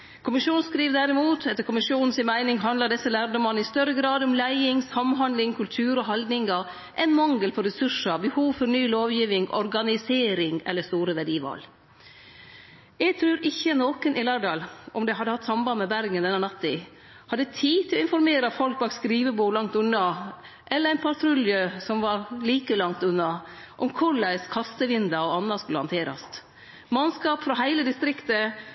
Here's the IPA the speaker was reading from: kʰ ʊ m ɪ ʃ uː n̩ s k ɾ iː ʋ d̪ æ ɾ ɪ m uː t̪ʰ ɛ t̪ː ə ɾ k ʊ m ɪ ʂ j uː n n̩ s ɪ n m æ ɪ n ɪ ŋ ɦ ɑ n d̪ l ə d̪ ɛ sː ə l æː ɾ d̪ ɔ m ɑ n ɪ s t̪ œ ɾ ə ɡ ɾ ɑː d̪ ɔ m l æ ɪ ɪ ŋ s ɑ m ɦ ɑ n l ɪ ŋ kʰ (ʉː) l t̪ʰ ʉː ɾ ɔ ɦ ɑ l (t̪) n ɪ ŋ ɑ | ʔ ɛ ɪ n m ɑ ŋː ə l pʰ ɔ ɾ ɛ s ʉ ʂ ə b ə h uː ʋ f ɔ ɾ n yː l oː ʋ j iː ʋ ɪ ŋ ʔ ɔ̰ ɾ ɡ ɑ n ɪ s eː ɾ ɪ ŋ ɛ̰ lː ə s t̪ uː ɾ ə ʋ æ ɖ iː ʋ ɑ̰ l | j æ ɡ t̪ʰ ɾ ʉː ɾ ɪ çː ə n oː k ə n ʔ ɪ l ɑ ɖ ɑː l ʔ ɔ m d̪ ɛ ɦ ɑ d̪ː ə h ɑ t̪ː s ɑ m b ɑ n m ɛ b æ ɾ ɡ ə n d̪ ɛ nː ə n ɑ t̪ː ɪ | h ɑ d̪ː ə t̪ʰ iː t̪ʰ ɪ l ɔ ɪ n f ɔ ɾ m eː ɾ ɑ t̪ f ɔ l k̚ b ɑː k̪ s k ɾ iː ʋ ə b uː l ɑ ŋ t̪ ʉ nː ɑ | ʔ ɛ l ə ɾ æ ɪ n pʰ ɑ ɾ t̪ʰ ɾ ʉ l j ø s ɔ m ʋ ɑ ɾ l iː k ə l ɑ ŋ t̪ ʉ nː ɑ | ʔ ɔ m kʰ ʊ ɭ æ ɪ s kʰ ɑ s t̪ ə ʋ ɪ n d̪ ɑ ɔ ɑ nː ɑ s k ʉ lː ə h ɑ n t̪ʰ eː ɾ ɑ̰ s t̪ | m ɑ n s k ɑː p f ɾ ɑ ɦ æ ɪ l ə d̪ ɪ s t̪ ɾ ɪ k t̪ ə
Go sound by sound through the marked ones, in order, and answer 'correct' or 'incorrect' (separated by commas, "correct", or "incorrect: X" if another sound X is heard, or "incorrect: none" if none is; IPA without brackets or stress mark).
incorrect: ʉ, incorrect: d̪